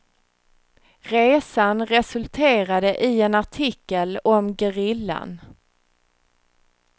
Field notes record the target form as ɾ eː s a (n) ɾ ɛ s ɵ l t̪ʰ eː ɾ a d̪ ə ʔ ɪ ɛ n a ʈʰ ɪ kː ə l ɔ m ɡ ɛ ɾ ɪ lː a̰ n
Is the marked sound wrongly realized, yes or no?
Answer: no